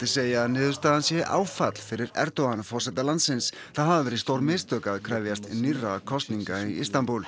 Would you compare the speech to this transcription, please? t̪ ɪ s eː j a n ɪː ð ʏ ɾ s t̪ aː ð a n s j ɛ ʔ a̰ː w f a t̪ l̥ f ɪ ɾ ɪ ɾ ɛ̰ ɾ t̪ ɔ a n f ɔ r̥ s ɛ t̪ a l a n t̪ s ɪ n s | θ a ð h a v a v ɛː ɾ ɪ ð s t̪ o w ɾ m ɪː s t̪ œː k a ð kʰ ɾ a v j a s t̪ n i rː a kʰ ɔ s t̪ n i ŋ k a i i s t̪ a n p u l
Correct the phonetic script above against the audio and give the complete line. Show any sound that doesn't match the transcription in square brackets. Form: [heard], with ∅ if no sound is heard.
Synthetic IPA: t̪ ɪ s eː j a n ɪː ð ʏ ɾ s t̪ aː ð a n s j ɛ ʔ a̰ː w f a t̪ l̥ f ɪ ɾ ɪ ɾ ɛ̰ ɾ t̪ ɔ a n f ɔ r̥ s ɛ t̪ a l a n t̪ s ɪ n s | θ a ð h a v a v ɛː ɾ ɪ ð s t̪ o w ɾ m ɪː s t̪ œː k a ð kʰ ɾ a v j a s t̪ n i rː a kʰ ɔ s t̪ n i ŋ k a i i s t̪ a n p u l